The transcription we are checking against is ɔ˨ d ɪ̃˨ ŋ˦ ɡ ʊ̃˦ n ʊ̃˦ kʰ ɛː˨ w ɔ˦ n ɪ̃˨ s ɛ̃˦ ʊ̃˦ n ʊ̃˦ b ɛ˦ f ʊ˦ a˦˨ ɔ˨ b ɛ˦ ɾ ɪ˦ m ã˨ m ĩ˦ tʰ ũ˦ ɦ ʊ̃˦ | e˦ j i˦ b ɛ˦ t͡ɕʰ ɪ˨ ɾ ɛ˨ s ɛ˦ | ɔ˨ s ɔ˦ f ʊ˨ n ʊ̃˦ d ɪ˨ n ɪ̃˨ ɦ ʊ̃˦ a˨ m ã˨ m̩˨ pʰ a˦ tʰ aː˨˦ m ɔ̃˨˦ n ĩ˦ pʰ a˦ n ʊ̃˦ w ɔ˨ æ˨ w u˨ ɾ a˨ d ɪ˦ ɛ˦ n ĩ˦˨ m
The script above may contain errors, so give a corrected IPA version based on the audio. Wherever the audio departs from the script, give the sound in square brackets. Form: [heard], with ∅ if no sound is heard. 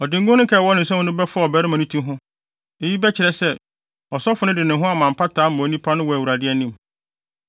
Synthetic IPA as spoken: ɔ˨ d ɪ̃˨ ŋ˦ ɡ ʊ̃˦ n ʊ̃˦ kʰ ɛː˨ w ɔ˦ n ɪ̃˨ s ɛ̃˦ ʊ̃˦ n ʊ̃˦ b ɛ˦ f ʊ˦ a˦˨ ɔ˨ b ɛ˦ ɾ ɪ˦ m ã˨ [n] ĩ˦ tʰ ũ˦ ɦ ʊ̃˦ | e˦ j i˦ b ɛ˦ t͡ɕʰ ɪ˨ ɾ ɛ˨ s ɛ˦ | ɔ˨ s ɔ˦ f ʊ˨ n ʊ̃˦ d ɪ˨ n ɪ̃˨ ɦ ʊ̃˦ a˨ m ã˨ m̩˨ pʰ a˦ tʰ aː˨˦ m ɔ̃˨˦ n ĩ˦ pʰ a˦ n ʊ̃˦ w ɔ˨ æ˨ w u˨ ɾ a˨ d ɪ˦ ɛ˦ n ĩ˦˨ m